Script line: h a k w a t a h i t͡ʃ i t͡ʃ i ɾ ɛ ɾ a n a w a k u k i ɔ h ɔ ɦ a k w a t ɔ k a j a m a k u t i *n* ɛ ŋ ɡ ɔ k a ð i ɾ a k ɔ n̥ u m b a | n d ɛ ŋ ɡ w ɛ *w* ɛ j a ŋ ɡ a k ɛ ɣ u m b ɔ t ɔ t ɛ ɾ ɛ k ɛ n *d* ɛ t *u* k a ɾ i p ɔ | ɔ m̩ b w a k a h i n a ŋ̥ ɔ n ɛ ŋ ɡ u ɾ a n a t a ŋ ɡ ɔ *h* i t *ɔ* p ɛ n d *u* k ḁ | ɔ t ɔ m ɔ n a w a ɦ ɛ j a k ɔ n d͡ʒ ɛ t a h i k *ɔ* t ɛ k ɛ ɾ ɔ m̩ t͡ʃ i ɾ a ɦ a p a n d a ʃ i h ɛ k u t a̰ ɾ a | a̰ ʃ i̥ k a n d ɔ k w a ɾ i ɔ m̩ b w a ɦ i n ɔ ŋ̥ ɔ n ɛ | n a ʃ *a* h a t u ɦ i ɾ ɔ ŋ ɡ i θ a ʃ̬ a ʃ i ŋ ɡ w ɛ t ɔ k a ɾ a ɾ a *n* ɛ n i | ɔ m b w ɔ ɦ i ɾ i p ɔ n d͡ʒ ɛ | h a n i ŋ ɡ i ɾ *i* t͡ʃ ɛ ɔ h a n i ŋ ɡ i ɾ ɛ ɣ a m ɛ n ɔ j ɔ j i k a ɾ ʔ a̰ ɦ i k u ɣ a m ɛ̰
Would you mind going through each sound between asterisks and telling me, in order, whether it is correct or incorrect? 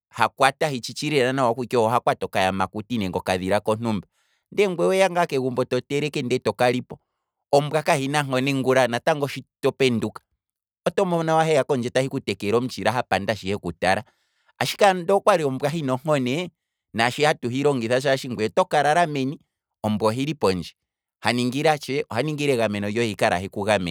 correct, correct, correct, incorrect, incorrect, correct, correct, incorrect, incorrect, incorrect, incorrect

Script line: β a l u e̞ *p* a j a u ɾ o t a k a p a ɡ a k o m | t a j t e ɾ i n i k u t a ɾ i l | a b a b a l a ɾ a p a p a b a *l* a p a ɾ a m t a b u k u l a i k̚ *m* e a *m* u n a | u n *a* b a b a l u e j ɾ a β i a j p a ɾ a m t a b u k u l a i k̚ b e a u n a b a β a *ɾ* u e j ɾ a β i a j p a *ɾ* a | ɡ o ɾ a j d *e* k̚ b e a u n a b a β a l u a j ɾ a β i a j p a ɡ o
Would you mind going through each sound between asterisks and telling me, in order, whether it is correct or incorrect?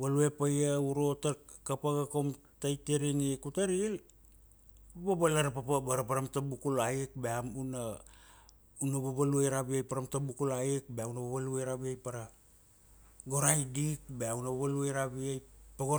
correct, incorrect, incorrect, correct, correct, incorrect, correct, incorrect

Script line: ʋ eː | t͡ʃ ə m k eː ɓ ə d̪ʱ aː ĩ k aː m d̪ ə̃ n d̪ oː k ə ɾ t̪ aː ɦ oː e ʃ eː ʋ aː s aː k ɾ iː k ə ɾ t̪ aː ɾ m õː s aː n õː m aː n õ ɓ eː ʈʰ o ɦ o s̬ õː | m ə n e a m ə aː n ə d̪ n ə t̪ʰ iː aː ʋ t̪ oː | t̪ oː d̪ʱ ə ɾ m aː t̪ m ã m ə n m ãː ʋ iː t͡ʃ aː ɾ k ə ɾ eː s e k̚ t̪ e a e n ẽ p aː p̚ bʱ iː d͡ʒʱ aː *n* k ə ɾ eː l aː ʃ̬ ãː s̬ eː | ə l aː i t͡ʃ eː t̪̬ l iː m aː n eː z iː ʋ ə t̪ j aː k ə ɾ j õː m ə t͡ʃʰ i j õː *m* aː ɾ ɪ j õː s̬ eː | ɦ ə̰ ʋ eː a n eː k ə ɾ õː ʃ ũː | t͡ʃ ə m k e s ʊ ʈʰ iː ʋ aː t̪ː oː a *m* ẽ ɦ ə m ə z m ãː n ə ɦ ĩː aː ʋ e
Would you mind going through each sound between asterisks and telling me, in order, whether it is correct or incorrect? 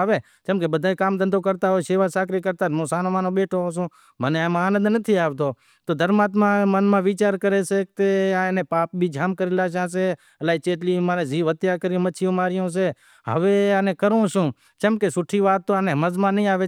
incorrect, correct, incorrect

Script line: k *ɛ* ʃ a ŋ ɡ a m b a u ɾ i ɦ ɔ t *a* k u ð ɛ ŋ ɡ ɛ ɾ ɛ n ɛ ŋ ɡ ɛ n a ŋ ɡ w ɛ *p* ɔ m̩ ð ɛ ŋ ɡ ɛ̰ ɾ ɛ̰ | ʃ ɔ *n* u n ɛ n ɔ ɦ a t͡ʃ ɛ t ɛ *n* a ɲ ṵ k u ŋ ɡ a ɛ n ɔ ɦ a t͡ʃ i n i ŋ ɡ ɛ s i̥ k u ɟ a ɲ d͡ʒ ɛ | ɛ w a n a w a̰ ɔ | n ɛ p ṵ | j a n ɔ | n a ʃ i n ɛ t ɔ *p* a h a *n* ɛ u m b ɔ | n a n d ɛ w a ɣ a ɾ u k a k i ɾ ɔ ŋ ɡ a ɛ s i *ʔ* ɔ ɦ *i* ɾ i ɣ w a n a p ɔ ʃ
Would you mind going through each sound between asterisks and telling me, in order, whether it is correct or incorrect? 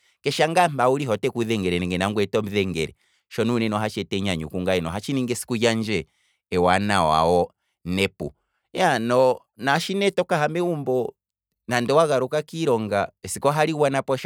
correct, incorrect, incorrect, correct, incorrect, incorrect, incorrect, incorrect, incorrect

